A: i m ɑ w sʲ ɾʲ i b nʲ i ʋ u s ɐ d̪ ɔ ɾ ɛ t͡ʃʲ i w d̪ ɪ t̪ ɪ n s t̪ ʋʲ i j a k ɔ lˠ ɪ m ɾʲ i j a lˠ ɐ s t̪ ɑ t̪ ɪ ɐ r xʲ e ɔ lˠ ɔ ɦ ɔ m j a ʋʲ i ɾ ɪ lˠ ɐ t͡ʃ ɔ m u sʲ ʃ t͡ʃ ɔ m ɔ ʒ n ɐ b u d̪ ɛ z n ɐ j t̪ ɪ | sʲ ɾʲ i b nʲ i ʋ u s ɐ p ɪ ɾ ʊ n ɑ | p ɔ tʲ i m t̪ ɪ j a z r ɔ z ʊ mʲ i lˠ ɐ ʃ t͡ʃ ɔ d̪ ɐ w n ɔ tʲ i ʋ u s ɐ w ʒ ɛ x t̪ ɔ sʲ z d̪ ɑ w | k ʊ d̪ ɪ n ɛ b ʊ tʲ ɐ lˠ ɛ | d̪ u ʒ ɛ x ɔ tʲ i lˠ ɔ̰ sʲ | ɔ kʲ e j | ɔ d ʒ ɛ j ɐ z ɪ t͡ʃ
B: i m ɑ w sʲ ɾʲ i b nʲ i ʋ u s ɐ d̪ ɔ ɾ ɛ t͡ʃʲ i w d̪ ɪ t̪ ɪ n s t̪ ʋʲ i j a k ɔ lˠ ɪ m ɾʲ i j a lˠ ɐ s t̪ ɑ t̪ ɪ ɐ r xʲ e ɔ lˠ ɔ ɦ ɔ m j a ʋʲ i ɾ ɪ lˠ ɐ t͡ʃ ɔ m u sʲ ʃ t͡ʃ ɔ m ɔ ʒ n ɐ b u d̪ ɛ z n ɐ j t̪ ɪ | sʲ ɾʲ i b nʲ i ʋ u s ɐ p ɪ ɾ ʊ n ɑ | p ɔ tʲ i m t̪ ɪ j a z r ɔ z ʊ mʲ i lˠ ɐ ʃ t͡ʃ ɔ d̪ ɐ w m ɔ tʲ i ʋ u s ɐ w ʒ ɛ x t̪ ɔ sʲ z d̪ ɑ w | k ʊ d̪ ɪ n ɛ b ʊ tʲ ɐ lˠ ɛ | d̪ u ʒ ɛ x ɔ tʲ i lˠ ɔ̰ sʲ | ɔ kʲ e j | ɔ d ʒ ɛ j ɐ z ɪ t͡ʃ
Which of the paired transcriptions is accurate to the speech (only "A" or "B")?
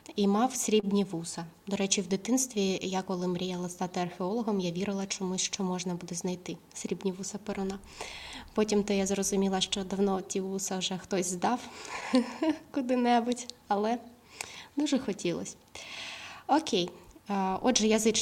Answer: A